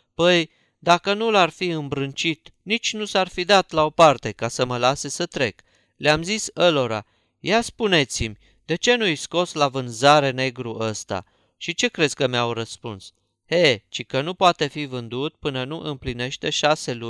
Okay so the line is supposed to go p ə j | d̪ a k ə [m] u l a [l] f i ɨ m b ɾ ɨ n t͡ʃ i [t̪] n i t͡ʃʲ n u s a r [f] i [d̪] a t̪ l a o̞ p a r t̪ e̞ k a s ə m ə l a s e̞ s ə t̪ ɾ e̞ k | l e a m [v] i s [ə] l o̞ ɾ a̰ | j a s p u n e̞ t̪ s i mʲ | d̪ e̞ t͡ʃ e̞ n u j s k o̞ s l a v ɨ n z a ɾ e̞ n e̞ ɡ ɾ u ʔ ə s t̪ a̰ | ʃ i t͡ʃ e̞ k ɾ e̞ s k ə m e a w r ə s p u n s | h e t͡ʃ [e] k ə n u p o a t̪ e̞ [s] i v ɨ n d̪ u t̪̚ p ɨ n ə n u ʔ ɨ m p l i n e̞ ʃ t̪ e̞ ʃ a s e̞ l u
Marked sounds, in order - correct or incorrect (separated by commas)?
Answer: incorrect, incorrect, correct, correct, correct, incorrect, correct, incorrect, incorrect